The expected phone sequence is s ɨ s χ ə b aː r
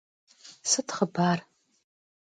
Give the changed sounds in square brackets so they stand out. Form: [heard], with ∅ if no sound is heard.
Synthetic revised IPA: s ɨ [t] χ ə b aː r